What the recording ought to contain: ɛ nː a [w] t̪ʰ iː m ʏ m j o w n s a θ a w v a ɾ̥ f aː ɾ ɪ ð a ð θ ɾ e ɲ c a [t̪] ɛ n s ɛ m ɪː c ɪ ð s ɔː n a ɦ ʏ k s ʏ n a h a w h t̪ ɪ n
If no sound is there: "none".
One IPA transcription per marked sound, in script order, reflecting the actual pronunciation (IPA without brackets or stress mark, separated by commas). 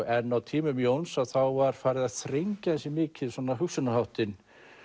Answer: w, none